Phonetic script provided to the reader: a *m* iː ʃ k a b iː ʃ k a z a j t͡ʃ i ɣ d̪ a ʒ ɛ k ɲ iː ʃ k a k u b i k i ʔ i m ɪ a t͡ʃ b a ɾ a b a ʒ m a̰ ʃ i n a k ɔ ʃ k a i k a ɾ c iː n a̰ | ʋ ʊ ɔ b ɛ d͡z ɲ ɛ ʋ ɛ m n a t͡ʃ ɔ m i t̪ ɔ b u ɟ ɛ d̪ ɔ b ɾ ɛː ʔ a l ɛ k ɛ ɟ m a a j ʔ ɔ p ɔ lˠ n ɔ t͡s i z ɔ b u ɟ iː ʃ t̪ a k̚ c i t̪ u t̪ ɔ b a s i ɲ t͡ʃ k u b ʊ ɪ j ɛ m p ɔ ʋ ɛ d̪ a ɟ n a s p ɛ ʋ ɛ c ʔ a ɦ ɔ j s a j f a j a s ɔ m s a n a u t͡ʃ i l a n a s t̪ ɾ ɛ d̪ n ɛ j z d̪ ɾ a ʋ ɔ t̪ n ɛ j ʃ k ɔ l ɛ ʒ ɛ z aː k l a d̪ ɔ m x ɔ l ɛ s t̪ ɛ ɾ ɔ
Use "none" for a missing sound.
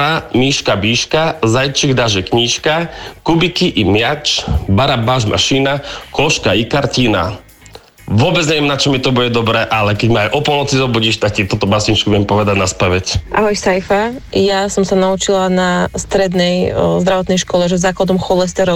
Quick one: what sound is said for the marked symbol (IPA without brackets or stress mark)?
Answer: m